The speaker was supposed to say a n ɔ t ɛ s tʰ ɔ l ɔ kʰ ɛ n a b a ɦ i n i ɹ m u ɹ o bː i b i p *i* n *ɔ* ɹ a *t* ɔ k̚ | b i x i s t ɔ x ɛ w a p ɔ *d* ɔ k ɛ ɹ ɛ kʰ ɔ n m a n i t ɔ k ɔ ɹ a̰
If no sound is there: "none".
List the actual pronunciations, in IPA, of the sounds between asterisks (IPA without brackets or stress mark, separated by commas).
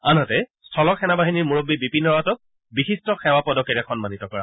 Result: i, ɔ, t, d